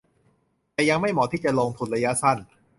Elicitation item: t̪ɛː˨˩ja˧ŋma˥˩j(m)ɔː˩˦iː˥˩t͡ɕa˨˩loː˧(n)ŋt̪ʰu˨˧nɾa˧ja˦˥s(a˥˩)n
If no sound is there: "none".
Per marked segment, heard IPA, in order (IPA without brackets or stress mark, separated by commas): m, none, a˥˩